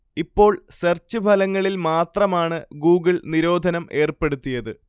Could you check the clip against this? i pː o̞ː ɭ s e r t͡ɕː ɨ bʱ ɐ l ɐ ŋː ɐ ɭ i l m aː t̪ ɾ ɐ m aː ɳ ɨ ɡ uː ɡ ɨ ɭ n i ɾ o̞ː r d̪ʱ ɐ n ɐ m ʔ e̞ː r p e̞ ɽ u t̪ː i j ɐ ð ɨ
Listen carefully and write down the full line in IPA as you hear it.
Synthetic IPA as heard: i pː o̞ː ɭ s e r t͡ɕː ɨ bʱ ɐ l ɐ ŋː ɐ ɭ i l m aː t̪ r ɐ m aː ɳ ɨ ɡ uː ɡ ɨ ɭ n i ɾ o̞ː d̪ʱ ɐ n ɐ m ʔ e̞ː r p e̞ ɽ u t̪ː i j ɐ ð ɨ